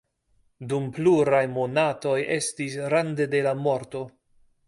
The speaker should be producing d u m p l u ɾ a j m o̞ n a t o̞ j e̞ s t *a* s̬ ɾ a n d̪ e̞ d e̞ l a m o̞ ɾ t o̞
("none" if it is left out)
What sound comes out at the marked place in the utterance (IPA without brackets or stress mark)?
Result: i